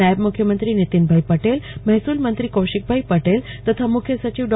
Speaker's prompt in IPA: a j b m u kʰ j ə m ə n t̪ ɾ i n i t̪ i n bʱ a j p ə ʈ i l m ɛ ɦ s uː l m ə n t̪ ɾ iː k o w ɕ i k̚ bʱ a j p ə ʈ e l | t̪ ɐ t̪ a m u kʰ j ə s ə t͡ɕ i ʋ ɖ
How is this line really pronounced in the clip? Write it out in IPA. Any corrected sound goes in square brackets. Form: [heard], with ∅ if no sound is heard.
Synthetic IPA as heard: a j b m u kʰ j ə m ə n t̪ ɾ i n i t̪ i n bʱ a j p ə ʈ [e] l m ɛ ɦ s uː l m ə n t̪ ɾ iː k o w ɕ i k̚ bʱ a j p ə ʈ e l | t̪ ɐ [t̪ʰ] a m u kʰ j ə s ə t͡ɕ i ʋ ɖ